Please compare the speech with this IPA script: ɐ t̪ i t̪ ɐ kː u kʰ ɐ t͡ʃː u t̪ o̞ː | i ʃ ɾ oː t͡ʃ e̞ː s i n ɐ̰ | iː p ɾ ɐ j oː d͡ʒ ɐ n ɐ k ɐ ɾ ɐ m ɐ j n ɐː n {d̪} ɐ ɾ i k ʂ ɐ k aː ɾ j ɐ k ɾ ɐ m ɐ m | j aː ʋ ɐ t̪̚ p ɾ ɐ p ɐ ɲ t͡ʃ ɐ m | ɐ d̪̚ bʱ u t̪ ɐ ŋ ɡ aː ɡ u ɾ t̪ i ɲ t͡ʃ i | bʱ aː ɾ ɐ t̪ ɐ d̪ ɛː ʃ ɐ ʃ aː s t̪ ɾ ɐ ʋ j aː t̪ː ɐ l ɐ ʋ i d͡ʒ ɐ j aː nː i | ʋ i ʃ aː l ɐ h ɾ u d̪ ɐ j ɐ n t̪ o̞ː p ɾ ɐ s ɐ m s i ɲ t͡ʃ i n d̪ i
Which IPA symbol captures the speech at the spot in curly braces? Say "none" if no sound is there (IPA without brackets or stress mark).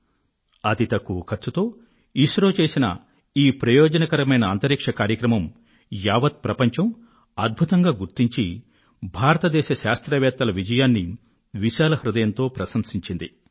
t̪